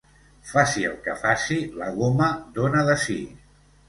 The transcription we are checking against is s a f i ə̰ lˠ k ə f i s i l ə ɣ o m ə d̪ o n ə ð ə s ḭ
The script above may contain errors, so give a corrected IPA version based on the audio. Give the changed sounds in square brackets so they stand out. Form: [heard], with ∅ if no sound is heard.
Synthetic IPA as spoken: [f] a [s] i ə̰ lˠ k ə f [a] s i l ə ɣ o m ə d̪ o n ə ð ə s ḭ